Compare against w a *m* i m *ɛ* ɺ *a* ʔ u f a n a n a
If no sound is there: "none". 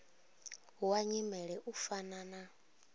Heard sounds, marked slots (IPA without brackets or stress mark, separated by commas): ɲ, ɛ, ɛ